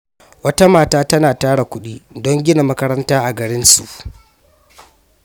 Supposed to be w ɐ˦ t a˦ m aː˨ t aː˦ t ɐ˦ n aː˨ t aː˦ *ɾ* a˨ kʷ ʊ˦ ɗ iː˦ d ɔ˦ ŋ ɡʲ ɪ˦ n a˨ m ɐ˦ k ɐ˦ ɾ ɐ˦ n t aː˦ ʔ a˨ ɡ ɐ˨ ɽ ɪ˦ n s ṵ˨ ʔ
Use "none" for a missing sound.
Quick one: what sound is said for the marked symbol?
ɽ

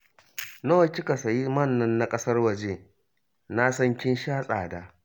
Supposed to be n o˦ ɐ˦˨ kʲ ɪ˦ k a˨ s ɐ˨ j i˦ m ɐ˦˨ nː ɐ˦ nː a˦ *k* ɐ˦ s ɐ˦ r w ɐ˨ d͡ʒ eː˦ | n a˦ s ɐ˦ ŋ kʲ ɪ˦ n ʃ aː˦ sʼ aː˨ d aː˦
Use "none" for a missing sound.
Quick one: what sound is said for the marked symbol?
kʼ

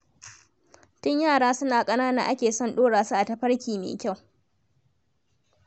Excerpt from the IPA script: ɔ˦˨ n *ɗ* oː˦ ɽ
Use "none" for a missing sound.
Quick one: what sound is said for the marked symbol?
ɗ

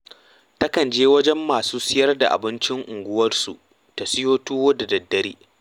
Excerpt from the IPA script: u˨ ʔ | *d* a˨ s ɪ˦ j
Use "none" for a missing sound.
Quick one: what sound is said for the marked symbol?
t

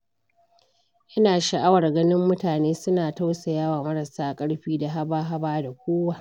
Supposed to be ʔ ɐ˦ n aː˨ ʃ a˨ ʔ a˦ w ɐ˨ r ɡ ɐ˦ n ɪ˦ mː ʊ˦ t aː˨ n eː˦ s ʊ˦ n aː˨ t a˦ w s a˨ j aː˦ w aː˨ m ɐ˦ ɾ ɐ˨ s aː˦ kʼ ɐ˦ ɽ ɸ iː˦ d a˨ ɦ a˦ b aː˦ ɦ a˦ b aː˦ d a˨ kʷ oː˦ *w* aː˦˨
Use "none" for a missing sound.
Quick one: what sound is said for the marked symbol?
w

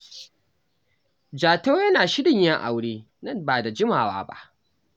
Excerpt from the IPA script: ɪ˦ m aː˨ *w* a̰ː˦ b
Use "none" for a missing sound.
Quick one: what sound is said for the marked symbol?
w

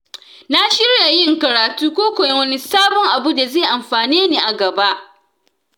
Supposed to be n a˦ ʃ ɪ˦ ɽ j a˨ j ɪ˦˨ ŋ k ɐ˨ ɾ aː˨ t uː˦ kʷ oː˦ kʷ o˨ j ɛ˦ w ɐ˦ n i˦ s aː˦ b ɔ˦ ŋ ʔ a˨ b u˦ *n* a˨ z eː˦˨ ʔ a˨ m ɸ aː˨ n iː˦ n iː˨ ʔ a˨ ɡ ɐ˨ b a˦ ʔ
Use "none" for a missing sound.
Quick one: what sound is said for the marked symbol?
d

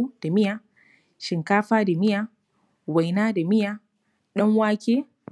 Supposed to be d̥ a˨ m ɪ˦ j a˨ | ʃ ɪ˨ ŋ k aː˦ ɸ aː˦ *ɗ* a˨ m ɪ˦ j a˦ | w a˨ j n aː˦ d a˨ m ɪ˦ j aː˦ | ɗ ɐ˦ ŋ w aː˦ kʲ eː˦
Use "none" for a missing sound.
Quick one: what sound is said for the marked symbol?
d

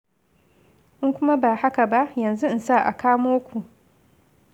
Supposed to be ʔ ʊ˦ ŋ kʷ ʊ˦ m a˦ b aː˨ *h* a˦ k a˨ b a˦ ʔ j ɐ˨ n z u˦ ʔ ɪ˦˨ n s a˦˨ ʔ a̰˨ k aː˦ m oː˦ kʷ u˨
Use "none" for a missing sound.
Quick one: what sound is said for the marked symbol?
h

